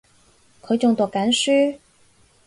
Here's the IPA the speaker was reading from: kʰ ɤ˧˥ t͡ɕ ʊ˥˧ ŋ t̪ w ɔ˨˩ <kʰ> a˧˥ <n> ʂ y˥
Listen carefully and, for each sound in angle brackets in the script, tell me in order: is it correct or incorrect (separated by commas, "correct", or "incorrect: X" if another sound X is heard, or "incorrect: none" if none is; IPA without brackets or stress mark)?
incorrect: k, correct